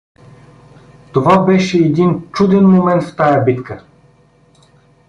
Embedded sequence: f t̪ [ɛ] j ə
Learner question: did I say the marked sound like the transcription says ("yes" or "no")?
no